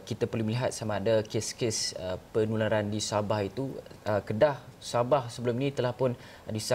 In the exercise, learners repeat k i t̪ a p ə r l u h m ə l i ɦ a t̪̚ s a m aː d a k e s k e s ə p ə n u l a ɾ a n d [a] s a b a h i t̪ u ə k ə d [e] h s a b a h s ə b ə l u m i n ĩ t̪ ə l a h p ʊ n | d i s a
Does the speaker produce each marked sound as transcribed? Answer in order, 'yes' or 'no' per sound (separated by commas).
no, no